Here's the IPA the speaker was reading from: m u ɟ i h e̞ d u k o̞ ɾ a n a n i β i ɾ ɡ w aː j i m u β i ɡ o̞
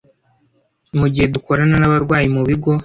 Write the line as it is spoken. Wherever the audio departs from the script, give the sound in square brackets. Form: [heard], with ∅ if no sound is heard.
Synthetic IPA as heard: m u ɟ i h e̞ d u k o̞ ɾ a n a n [a] β [a] ɾ ɡ w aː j i m u β i ɡ o̞